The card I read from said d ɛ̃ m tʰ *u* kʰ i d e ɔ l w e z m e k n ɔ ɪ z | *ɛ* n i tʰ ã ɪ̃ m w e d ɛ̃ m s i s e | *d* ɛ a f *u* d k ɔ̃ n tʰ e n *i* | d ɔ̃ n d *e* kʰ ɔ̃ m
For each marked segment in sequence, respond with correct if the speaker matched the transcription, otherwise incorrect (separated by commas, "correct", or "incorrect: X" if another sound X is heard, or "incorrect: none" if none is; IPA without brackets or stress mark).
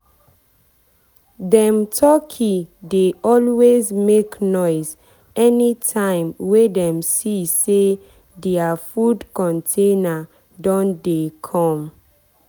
incorrect: ɔ, correct, correct, correct, incorrect: a, correct